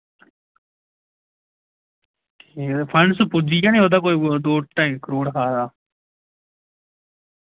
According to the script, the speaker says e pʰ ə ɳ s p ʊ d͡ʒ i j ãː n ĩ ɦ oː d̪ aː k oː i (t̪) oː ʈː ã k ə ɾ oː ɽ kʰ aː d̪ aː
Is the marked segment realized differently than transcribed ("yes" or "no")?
yes